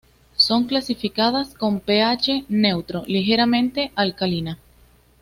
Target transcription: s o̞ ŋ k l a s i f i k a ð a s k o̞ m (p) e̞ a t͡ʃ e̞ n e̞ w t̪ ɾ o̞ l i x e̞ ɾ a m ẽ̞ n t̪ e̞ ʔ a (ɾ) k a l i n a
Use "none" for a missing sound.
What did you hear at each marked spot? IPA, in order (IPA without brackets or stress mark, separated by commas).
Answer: p, l